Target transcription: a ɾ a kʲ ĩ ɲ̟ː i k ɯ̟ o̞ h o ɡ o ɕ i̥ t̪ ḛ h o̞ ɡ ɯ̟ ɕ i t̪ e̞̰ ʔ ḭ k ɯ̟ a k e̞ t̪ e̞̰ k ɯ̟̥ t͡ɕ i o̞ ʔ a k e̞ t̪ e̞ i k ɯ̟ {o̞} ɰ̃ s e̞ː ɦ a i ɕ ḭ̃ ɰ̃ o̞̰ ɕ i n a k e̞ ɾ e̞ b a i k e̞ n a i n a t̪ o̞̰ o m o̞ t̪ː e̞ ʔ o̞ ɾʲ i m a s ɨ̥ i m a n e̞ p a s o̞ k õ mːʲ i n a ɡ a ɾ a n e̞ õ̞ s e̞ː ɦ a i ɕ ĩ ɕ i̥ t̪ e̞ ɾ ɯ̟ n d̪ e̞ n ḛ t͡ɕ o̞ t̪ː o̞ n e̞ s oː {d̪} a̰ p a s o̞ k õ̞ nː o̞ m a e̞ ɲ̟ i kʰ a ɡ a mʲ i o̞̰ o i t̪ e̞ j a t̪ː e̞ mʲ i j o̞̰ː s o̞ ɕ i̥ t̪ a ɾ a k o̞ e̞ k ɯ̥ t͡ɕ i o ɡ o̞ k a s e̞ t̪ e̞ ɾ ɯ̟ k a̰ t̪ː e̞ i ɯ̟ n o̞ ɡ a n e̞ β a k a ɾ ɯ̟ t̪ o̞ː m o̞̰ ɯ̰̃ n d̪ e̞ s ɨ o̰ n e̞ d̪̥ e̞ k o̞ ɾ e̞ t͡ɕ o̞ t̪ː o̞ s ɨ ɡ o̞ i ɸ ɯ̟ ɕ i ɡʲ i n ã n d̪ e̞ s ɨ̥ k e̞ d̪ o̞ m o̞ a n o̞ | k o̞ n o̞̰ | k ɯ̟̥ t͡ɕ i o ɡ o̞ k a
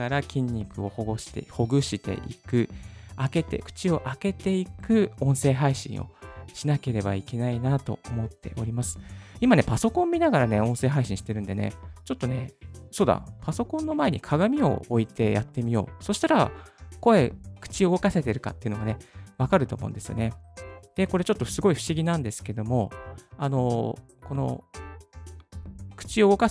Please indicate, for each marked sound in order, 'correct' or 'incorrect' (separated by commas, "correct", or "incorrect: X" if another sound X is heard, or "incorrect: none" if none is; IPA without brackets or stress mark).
incorrect: õ̞, correct